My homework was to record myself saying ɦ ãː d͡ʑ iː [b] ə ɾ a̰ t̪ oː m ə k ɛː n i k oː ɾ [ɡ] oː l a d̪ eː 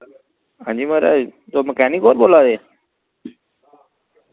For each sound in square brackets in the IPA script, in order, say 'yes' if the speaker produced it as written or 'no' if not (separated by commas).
no, no